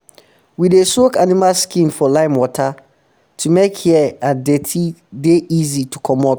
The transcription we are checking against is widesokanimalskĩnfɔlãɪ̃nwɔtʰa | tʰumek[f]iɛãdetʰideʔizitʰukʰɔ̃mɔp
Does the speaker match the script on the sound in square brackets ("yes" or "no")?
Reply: no